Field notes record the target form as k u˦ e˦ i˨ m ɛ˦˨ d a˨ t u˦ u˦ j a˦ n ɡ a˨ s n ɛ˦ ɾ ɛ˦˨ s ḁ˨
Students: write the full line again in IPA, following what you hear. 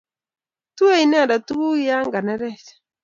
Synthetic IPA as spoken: t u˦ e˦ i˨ n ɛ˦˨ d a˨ t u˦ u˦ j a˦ ŋ ɡ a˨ n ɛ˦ ɾ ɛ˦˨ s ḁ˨